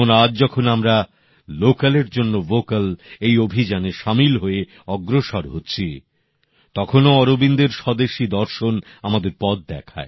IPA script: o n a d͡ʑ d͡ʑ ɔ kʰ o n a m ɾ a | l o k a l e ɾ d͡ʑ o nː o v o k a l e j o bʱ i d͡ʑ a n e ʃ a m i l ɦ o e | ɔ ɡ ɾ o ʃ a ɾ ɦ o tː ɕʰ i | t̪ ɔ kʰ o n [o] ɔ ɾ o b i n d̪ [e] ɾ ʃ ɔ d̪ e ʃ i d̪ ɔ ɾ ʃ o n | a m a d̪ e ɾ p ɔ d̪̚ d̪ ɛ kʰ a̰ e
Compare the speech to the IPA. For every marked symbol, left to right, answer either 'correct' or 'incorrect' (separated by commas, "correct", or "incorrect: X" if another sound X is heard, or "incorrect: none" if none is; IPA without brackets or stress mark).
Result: correct, correct